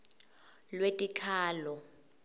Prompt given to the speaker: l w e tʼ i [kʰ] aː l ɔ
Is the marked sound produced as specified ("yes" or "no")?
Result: yes